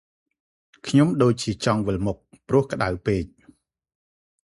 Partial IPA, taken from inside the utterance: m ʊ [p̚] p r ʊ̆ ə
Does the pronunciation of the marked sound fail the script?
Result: yes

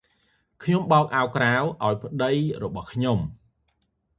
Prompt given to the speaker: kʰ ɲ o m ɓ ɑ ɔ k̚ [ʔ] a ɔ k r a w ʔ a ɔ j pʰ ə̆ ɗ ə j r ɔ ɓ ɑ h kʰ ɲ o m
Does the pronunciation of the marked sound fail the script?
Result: no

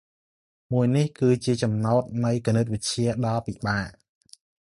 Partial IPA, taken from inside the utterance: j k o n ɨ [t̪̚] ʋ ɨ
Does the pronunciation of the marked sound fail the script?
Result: no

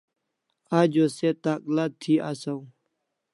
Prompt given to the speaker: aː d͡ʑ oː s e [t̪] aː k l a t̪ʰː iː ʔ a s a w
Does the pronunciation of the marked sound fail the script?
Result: no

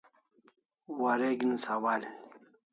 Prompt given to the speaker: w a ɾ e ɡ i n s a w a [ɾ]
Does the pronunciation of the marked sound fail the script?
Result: yes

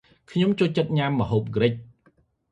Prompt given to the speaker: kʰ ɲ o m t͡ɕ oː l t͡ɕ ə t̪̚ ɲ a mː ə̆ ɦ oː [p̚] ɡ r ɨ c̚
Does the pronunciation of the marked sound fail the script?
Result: no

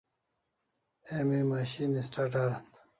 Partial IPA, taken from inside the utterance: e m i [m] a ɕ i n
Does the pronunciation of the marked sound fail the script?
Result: no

